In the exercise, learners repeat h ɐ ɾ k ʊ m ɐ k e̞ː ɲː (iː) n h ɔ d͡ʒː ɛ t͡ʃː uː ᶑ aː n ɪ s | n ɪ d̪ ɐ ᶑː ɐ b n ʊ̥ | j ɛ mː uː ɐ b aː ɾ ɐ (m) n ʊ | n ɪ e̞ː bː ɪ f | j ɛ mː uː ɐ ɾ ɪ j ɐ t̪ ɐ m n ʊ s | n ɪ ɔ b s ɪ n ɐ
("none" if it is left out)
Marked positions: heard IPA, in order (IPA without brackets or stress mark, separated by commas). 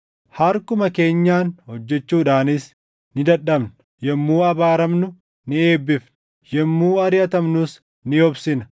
aː, m